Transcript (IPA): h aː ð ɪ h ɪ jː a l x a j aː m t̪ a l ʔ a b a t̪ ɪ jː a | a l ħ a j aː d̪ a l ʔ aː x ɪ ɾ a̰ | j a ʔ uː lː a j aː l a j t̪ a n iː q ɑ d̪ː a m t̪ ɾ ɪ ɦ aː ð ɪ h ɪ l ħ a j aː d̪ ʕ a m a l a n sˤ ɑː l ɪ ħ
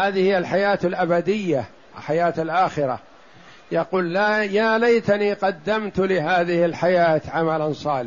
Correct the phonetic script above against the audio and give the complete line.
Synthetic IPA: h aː ð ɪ h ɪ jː a l ħ a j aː t̪ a l ʔ a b a d̪ ɪ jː a | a l ħ a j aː t̪ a l ʔ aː x ɪ ɾ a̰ | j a q uː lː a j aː l a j t̪ a n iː q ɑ d̪ː a m t̪ l ɪ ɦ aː ð ɪ h ɪ l ħ a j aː t̪ ʕ a m a l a n sˤ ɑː l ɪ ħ